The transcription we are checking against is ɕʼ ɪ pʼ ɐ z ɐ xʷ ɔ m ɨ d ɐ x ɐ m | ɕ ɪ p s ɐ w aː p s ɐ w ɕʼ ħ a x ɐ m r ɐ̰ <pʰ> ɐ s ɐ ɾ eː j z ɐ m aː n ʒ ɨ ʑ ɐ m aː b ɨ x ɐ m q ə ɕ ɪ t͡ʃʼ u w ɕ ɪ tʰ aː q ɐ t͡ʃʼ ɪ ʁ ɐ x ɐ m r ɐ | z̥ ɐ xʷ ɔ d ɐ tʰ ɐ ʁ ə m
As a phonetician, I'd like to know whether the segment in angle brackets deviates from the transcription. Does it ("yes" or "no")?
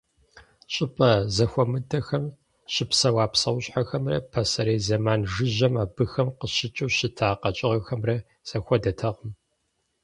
no